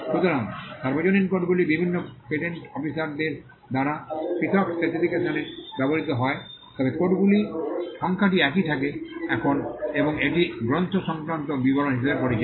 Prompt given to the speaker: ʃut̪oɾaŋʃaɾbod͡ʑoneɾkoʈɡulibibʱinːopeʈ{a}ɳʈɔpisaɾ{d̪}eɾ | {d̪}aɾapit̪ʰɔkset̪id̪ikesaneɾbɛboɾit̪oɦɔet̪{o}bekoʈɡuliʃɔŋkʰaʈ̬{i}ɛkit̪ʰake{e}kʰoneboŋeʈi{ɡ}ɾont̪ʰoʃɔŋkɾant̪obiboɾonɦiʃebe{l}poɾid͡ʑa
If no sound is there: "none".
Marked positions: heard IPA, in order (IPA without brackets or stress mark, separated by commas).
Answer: e, d̪, d̪, ɔ, i, ɛ, ɡ, ɾ